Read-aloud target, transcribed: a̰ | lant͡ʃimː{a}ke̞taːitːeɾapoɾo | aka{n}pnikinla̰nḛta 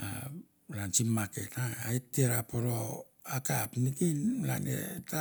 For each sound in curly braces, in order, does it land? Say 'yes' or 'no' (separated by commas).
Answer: yes, no